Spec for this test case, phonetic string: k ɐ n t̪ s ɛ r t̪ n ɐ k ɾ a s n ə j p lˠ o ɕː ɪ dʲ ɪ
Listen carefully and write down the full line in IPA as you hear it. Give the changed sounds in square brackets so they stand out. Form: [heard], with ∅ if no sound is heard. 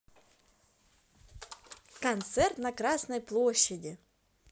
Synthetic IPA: k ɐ n t̪ s ɛ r t̪ n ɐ k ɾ a s n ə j p lˠ o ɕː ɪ dʲ ɪ